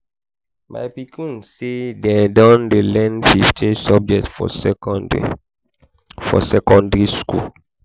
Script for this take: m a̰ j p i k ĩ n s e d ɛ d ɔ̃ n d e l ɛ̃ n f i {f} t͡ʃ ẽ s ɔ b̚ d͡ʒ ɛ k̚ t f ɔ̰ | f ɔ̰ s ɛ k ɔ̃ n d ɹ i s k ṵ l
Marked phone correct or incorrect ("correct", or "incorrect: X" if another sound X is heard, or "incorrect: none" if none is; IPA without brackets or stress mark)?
correct